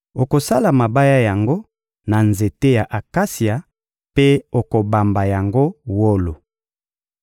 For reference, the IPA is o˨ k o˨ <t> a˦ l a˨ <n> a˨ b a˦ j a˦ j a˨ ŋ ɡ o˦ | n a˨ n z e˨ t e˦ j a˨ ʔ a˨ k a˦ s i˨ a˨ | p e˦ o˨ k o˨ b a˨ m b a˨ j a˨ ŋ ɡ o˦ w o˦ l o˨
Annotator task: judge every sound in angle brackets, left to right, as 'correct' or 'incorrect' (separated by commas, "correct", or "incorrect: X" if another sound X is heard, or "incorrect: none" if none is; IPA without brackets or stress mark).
incorrect: s, incorrect: m